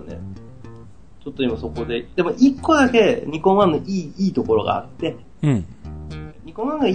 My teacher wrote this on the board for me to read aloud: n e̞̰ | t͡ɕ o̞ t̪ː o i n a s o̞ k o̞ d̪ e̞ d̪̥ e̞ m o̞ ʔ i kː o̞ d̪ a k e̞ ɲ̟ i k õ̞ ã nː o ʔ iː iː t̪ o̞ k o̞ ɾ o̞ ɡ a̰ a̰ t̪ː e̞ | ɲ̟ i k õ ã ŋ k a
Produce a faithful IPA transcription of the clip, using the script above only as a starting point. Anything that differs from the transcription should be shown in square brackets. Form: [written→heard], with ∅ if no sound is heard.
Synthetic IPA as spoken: n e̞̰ | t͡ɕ o̞ t̪ː o i [n→m] a s o̞ k o̞ d̪ e̞ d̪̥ e̞ m o̞ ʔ i kː o̞ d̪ a k e̞ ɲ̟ i k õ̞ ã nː o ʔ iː iː t̪ o̞ k o̞ ɾ o̞ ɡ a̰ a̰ t̪ː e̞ | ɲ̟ i k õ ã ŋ [k→ɡ] a